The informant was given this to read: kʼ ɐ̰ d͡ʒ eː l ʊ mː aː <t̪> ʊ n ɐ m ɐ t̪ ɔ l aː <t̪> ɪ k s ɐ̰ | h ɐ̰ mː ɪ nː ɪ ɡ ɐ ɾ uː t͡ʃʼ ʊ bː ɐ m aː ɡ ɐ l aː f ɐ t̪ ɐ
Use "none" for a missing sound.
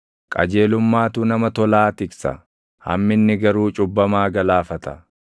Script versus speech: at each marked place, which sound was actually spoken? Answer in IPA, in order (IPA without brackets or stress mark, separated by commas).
t̪, t̪